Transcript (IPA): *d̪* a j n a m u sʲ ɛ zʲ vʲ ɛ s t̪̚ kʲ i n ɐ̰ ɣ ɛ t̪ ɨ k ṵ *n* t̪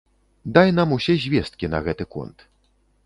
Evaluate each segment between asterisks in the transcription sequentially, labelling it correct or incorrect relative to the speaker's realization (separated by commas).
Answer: correct, correct